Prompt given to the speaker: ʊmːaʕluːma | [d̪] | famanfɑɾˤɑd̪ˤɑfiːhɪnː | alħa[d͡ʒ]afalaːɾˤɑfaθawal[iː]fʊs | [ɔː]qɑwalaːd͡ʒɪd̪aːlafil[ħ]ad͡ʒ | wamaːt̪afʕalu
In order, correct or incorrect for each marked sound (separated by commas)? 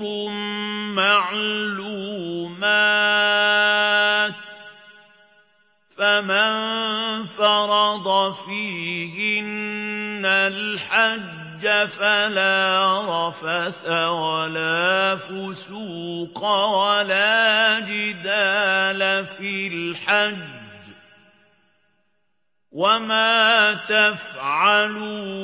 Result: incorrect, incorrect, incorrect, incorrect, correct